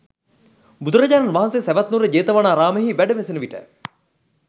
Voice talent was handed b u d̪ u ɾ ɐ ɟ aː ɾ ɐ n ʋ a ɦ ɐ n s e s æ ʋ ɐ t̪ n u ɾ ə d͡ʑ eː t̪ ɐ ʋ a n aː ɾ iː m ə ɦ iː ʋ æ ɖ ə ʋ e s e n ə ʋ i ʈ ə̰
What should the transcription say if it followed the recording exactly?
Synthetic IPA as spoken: b u d̪ u ɾ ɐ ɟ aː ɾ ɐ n ʋ a ɦ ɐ n s e s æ ʋ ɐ t̪ n u ɾ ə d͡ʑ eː t̪ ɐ ʋ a n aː ɾ aː m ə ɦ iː ʋ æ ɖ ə ʋ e s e n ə ʋ i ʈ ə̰